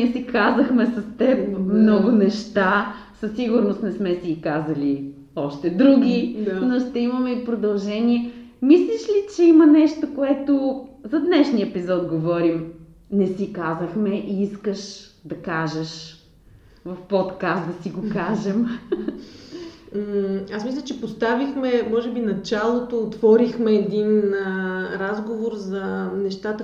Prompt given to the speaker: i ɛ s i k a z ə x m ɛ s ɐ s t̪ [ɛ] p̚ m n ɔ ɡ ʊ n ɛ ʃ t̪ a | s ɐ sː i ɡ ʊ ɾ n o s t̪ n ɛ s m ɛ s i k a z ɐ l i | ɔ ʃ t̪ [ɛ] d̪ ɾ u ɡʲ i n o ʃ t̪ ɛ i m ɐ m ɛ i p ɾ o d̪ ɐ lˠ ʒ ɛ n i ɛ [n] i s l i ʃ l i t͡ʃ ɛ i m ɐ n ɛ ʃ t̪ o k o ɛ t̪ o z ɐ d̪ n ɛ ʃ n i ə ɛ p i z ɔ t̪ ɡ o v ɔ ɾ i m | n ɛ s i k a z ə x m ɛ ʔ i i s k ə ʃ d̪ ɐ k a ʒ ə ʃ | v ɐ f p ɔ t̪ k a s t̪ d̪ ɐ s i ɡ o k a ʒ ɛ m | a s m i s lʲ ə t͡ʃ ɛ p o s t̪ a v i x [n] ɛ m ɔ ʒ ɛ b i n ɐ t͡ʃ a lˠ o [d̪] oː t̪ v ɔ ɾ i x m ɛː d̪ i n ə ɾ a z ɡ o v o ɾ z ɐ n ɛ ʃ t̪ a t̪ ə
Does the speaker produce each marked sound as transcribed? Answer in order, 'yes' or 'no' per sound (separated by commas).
yes, yes, no, no, no